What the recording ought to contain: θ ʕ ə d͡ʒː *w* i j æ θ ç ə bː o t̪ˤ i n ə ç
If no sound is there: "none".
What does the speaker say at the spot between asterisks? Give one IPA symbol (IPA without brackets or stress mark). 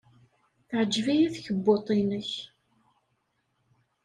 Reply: v